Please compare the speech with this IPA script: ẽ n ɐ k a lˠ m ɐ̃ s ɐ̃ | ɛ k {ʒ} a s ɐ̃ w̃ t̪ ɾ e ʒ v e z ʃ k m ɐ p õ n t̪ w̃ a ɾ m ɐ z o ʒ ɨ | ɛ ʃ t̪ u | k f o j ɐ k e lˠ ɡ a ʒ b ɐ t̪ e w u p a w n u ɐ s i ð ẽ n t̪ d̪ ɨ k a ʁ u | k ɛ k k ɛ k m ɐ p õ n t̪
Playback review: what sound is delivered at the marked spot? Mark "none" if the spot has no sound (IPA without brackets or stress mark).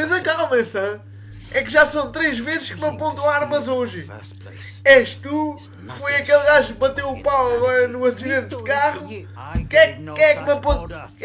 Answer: ʒ